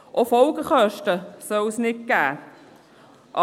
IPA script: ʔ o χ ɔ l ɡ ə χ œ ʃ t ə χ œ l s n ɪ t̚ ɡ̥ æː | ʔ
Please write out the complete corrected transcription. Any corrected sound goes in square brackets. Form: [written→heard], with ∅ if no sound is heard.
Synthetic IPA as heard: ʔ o [χ→f] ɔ l ɡ ə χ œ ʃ t ə [χ→s] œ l s n ɪ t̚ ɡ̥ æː | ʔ

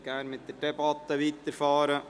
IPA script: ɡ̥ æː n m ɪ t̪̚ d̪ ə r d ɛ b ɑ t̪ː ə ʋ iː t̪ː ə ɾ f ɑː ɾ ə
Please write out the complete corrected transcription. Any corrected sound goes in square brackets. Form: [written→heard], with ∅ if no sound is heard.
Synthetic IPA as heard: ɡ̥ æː n m ɪ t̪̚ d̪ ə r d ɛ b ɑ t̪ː ə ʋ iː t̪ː ə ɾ f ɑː ɾ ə

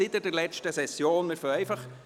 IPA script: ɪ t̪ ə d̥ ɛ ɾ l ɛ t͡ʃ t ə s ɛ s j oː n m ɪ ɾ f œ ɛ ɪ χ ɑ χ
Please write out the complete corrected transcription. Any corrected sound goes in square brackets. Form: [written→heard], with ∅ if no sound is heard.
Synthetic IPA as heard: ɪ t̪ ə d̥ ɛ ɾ l ɛ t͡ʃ t ə s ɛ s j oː n m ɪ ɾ f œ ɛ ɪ [χ→f] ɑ χ

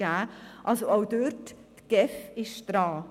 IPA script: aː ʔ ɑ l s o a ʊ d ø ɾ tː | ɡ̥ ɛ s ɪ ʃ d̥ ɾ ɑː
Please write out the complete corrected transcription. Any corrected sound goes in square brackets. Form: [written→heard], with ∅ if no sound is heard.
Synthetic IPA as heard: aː ʔ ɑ l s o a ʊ d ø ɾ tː | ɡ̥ ɛ [s→f] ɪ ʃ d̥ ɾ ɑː

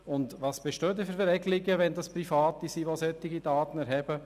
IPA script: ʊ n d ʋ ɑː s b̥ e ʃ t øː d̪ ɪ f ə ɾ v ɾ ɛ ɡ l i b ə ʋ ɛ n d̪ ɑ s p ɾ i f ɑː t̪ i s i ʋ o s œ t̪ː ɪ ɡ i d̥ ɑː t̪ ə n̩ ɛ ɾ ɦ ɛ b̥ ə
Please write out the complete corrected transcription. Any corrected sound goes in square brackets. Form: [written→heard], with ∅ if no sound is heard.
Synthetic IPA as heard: ʊ n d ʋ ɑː s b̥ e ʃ t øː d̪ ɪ f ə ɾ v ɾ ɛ ɡ l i [b→ɡ] ə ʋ ɛ n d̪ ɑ s p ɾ i f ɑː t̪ i s i ʋ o s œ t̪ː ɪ ɡ i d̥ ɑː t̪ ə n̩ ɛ ɾ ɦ ɛ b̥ ə

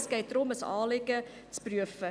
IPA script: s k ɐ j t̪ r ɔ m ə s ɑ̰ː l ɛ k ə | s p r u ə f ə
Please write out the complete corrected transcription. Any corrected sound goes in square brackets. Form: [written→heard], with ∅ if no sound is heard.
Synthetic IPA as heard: s k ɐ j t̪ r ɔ m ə s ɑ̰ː l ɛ k ə | s p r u ə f ə

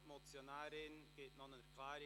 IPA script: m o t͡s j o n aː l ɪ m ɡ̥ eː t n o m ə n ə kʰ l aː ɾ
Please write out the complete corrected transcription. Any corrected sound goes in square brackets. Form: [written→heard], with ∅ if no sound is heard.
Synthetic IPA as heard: m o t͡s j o n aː [l→ɾ] ɪ [m→n] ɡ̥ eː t n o [m→n] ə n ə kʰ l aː ɾ

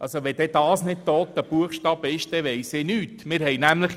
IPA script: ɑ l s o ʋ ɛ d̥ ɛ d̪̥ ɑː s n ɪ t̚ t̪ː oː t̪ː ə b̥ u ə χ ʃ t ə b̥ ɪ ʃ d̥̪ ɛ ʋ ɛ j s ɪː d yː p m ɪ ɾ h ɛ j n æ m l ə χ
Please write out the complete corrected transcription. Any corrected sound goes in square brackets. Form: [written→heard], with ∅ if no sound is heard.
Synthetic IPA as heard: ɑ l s o ʋ ɛ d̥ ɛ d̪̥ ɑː s n ɪ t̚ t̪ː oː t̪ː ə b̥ u ə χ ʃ t [ə→ɑ] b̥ ɪ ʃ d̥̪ ɛ ʋ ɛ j s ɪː [d→n] yː [p→t] m ɪ ɾ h ɛ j n æ m l ə χ

